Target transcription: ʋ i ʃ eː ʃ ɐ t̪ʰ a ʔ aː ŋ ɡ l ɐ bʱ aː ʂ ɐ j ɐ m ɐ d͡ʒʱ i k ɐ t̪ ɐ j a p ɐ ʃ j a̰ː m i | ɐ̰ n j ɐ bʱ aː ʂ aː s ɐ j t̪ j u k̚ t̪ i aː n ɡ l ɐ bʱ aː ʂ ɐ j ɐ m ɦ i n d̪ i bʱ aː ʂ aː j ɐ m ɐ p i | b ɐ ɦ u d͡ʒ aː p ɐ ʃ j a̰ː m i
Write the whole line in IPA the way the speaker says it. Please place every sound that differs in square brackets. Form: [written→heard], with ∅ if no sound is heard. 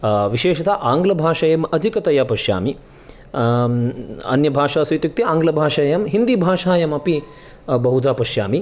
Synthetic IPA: ʋ i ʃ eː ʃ ɐ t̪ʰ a ʔ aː ŋ ɡ l ɐ bʱ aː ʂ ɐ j ɐ m ɐ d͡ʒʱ i k ɐ t̪ ɐ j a p ɐ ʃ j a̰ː m i | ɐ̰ n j ɐ bʱ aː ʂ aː s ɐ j t̪ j u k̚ t̪ i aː [n→ŋ] ɡ l ɐ bʱ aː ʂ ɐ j ɐ m ɦ i n d̪ i bʱ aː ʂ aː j ɐ m ɐ p i | b ɐ ɦ u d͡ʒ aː p ɐ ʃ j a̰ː m i